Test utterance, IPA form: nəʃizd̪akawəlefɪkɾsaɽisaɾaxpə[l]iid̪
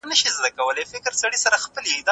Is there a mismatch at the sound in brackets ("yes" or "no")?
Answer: no